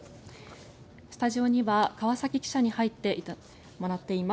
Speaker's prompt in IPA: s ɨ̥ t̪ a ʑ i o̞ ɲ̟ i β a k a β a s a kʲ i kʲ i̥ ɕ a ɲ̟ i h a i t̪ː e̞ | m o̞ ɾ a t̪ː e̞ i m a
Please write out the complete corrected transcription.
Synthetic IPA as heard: s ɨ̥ t̪ a ʑ i o̞ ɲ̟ i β a k a β a s a kʲ i kʲ i̥ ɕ a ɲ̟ i h a i t̪ː e̞ | m o̞ ɾ a t̪ː e̞ i m a